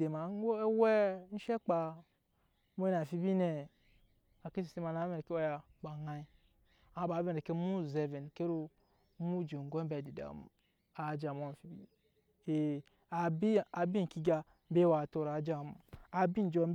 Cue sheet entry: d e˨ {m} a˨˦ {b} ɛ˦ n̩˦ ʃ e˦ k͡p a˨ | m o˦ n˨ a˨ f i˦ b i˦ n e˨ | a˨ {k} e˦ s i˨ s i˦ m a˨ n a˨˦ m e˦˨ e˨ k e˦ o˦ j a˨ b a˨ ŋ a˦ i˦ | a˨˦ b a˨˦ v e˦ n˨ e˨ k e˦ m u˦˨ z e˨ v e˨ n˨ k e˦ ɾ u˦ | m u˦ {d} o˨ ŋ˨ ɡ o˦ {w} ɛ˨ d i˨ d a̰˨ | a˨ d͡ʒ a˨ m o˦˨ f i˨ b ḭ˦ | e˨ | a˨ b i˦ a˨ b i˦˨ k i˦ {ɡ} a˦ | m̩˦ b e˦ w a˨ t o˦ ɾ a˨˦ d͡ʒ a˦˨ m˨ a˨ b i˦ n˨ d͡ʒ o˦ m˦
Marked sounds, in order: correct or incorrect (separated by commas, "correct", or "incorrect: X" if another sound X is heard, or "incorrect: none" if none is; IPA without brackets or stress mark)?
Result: correct, incorrect: w, correct, incorrect: d͡ʒ, incorrect: b, correct